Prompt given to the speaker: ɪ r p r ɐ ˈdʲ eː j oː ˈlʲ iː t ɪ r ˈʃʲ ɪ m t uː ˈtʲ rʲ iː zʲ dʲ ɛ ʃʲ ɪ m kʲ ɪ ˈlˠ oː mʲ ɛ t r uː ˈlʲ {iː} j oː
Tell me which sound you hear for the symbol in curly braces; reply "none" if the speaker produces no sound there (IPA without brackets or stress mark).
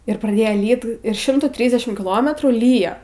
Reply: iː